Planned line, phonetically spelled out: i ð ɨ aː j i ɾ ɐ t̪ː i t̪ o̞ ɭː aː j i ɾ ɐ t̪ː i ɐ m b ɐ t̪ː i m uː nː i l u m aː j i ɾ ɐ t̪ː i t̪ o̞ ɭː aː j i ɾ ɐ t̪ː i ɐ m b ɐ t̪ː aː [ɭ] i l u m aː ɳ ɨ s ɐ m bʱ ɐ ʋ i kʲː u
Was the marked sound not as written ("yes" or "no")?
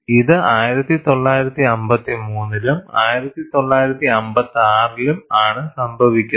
yes